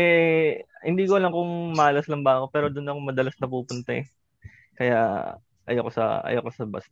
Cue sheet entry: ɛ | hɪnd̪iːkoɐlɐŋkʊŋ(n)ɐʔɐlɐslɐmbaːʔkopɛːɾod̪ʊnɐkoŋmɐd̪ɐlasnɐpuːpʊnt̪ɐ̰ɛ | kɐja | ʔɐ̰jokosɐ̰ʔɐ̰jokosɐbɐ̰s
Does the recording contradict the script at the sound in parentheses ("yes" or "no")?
yes